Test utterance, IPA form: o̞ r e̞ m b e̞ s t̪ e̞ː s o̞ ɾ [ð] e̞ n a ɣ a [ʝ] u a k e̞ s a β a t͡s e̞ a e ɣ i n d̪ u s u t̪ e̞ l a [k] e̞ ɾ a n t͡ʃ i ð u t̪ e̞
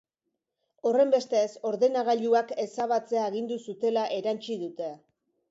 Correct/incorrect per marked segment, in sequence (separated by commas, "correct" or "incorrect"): correct, incorrect, incorrect